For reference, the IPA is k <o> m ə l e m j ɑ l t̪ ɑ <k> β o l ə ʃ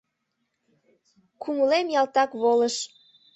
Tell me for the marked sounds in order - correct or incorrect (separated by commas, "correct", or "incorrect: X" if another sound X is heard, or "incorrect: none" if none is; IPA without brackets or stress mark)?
incorrect: u, correct